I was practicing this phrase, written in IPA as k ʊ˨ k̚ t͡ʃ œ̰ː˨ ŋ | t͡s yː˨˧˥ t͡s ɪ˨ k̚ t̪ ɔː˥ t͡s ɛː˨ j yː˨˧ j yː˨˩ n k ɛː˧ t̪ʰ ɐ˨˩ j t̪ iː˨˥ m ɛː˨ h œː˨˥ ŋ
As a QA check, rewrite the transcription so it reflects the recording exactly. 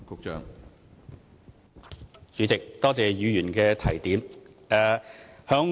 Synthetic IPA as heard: k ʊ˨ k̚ t͡ʃ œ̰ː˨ ŋ | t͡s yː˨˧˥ t͡s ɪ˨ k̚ t̪ ɔː˥ t͡s ɛː˨ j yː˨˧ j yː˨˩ n k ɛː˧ t̪ʰ ɐ˨˩ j t̪ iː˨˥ m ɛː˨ h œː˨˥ ŋ